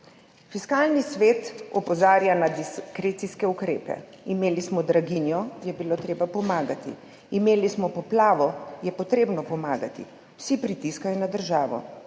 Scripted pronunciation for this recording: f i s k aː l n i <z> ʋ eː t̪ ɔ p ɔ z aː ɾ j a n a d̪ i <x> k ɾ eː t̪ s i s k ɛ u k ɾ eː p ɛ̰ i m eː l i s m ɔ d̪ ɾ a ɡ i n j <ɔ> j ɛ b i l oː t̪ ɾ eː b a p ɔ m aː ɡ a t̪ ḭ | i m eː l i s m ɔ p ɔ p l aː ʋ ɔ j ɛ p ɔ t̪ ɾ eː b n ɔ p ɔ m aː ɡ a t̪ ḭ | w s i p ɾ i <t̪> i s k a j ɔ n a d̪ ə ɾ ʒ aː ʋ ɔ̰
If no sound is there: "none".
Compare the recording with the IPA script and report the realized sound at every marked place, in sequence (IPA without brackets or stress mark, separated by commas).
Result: s, s, ɔ, t̪